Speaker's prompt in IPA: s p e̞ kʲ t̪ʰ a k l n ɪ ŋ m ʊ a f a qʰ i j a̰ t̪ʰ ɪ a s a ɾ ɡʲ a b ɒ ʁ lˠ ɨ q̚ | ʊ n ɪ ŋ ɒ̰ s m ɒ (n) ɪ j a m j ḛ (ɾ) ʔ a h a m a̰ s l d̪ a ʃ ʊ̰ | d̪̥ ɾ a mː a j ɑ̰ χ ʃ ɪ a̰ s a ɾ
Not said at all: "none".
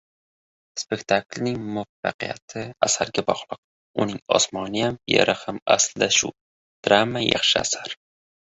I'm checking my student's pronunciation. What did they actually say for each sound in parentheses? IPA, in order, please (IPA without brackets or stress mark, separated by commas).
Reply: n, ɾ